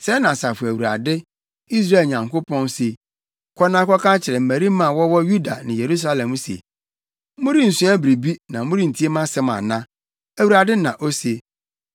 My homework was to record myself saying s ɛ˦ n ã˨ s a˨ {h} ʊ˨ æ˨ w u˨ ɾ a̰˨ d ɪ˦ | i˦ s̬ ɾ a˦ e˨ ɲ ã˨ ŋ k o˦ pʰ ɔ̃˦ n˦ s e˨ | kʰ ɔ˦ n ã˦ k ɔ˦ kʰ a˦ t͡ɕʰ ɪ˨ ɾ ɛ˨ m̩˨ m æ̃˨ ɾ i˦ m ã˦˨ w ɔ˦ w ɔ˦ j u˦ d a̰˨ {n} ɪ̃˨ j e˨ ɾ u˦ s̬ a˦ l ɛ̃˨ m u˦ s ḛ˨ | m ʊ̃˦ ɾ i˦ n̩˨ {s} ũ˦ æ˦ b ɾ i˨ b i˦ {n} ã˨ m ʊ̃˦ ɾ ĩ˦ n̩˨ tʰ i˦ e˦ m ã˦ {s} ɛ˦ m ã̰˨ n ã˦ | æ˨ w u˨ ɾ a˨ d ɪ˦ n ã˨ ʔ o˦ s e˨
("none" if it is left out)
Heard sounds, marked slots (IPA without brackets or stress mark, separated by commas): f, n, s, n, s